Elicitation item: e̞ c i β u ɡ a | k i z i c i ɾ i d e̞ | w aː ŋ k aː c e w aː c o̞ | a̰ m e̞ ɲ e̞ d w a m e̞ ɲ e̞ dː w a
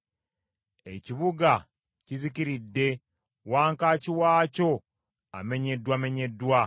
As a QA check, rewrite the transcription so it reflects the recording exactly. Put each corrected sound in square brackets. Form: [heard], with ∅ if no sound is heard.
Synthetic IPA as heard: e̞ c i β u ɡ a | [c] i z i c i ɾ i [dː] e̞ | w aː ŋ k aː c [i] w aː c o̞ | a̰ m e̞ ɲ e̞ d w a m e̞ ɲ e̞ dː w a